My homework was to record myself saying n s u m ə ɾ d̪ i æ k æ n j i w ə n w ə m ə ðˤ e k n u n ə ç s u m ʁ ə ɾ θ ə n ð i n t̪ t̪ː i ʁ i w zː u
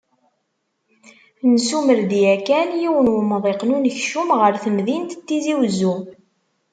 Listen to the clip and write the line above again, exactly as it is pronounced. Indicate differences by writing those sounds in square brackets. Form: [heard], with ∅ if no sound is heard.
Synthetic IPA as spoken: n s u m ə ɾ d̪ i æ k æ n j i w ə n w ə m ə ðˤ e [q] n u n ə ç [ʃ] u m ʁ ə ɾ θ ə [m] ð i n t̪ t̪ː i [z] i w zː u